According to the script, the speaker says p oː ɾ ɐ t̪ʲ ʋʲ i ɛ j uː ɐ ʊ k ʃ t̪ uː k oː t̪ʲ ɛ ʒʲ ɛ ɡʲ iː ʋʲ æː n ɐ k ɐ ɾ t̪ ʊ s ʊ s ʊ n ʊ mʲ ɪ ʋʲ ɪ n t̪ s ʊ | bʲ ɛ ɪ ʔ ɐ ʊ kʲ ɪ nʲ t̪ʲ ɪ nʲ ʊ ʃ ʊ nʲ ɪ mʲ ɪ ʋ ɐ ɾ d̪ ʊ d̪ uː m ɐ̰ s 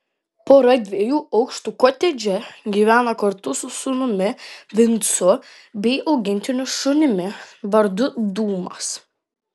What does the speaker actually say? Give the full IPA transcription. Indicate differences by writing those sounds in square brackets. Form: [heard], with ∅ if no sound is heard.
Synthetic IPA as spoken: p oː ɾ ɐ [d̪ʲ] ʋʲ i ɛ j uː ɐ ʊ k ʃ t̪ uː k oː t̪ʲ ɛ [d͡ʒʲ] ɛ ɡʲ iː ʋʲ æː n ɐ k ɐ ɾ t̪ ʊ s ʊ s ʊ n ʊ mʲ ɪ ʋʲ ɪ n t̪ s ʊ | bʲ ɛ ɪ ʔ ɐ ʊ [ɡʲ] ɪ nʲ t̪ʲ ɪ nʲ ʊ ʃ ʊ nʲ ɪ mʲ ɪ ʋ ɐ ɾ d̪ ʊ d̪ uː m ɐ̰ s